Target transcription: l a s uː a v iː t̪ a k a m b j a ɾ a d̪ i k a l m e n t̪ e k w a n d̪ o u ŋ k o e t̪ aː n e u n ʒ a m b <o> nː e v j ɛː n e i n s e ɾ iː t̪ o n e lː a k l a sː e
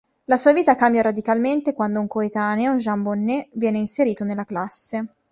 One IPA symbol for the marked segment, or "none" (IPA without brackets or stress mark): o